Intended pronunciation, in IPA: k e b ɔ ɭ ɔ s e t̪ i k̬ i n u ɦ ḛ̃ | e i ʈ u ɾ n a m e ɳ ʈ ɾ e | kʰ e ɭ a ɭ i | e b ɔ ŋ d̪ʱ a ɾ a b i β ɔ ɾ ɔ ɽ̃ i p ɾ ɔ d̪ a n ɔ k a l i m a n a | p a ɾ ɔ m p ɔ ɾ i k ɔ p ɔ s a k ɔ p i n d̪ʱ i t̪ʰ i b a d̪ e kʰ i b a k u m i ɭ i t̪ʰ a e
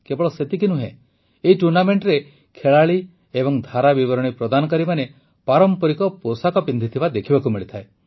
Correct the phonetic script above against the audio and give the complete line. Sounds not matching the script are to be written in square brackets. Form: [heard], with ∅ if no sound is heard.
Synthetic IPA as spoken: k e b ɔ ɭ ɔ s e t̪ i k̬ i n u ɦ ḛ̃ | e i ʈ u ɾ n a m e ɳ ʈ ɾ e | kʰ e ɭ a ɭ i | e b ɔ ŋ d̪ʱ a ɾ a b i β ɔ ɾ ɔ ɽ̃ i p ɾ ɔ d̪ a n ɔ k a [ɾ] i m a n [e] | p a ɾ ɔ m p ɔ ɾ i k ɔ p [o] s a k ɔ p i n d̪ʱ i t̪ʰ i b a d̪ e kʰ i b a k u m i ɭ i t̪ʰ a e